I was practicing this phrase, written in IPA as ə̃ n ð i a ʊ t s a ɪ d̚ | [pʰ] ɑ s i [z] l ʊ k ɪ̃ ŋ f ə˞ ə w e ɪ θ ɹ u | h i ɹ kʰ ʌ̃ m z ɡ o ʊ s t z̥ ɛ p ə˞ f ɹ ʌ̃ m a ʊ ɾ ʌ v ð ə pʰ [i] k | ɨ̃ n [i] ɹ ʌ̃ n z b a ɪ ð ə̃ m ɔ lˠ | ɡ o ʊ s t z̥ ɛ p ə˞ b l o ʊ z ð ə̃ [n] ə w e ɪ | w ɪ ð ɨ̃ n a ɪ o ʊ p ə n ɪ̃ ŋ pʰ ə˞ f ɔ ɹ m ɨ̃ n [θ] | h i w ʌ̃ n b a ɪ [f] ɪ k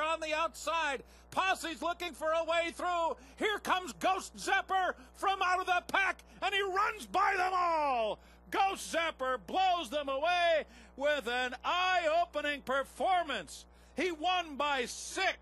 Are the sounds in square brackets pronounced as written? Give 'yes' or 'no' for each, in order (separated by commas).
yes, yes, no, yes, no, no, no